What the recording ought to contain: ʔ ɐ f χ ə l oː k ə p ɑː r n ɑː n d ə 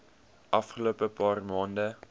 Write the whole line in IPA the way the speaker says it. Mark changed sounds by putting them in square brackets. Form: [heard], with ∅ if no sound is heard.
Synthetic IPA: ʔ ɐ f χ ə l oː [p] ə p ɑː r [m] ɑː n d ə